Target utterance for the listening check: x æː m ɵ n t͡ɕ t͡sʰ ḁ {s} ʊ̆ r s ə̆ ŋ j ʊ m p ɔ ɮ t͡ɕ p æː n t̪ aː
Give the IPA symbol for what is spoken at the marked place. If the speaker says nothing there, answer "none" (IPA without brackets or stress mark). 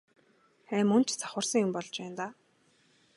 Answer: χ